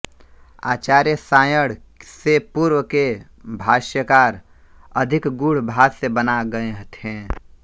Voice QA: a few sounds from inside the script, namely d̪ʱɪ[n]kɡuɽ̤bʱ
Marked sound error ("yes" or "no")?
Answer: yes